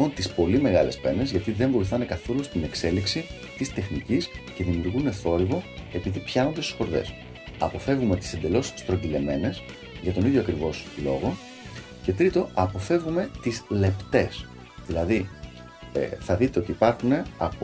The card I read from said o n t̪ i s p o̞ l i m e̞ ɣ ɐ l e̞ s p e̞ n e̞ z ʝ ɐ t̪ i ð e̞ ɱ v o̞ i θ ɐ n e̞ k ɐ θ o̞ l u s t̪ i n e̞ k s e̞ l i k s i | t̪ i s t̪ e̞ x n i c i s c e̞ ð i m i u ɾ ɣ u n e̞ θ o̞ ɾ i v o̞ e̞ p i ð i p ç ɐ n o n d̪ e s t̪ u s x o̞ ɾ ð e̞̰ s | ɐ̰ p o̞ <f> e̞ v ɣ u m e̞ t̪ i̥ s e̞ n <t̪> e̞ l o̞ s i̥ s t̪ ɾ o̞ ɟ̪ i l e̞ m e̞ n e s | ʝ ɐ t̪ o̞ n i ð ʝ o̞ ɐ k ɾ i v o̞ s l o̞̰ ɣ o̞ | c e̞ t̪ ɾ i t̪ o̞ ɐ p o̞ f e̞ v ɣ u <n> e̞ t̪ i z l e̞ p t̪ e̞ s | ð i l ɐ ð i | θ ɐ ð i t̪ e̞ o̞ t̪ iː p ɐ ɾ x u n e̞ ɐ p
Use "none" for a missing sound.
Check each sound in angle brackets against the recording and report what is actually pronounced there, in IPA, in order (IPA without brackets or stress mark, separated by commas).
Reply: f, d̪, m